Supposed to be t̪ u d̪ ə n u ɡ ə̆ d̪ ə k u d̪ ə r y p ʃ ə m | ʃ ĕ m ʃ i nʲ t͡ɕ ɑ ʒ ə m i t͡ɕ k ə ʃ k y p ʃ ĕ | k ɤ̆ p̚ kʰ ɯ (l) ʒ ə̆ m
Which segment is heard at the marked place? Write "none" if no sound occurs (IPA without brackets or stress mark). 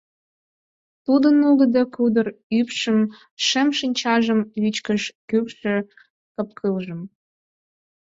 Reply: l